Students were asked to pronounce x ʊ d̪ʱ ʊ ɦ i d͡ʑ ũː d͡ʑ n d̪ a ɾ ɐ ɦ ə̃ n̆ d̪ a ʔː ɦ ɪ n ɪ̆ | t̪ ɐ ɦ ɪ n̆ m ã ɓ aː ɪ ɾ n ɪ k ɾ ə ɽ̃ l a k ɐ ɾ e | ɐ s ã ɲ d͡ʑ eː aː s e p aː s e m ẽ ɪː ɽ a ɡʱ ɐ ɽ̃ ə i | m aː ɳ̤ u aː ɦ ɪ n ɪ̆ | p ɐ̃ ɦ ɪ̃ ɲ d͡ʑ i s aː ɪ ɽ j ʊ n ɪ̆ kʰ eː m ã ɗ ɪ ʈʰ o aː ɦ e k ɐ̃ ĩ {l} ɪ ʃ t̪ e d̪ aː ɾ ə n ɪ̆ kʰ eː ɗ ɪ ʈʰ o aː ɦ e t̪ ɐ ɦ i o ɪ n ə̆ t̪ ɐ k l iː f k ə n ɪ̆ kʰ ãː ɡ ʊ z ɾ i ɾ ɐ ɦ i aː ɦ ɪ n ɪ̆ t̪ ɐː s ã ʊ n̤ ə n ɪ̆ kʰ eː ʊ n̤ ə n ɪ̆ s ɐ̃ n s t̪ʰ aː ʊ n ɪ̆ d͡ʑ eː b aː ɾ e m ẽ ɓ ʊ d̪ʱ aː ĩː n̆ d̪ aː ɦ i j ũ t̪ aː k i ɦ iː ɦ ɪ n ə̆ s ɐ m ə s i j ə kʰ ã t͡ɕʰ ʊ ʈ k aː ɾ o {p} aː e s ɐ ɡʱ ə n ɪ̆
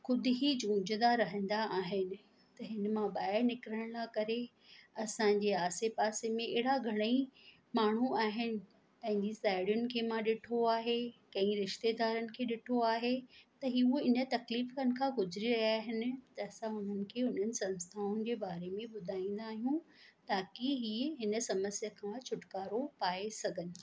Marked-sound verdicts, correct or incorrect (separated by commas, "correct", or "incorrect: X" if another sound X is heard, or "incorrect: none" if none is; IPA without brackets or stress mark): incorrect: ɾ, correct